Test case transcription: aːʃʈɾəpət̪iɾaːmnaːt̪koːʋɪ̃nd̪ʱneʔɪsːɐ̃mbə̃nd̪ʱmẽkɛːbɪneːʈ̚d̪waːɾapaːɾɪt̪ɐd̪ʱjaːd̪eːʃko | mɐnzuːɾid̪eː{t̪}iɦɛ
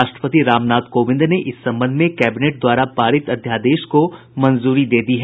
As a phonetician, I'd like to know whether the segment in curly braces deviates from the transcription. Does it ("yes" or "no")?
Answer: yes